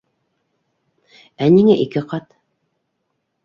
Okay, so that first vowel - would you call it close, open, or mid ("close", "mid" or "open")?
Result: open